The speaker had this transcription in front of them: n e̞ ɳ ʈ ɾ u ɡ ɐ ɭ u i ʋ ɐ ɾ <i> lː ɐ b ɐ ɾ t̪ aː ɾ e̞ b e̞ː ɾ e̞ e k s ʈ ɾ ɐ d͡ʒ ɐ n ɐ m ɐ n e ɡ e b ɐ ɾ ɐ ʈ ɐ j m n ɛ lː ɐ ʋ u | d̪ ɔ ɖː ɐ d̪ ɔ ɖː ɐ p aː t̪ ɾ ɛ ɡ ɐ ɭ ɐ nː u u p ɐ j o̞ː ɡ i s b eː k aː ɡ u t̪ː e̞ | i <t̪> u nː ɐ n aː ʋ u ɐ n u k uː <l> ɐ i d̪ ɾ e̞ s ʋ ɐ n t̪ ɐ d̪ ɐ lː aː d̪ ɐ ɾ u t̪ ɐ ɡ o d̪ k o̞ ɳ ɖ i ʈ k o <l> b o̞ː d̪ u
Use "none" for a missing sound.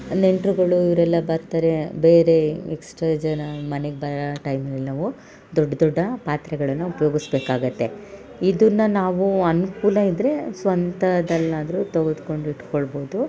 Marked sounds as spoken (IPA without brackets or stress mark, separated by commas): ɛ, d̪, l, ɭ